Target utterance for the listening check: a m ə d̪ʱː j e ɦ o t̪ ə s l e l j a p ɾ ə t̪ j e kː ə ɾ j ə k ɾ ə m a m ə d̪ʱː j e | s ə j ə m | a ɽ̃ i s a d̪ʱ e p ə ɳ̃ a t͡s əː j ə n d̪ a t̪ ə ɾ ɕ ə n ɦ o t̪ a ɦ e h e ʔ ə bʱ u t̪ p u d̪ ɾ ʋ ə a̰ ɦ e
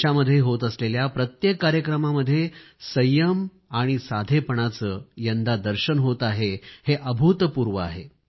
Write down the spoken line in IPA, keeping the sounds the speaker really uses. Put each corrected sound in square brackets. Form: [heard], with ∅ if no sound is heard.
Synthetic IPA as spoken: a m ə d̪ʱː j e ɦ o t̪ ə s l e l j a p ɾ ə t̪ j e kː [a] ɾ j ə k ɾ ə m a m ə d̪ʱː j e | s ə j ə m | a ɽ̃ i s a d̪ʱ e p ə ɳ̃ a t͡s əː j ə n d̪ a [d̪] ə ɾ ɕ ə n ɦ o t̪ a ɦ e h e ʔ ə bʱ u t̪ p u [∅] ɾ ʋ ə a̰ ɦ e